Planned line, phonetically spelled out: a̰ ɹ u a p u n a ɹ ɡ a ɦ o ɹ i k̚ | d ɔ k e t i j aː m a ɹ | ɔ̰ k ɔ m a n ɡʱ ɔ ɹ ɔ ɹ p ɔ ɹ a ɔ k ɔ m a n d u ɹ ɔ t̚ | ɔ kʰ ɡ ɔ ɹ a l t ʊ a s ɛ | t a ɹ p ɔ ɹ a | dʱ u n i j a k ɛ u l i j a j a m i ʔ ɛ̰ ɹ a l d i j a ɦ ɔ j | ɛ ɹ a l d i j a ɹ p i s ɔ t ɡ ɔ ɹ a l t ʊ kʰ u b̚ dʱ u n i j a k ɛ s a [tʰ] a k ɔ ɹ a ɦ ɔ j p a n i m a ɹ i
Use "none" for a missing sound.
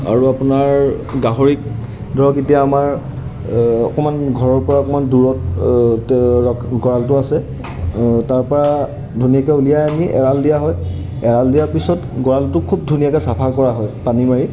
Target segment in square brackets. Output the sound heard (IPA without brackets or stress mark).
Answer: pʰ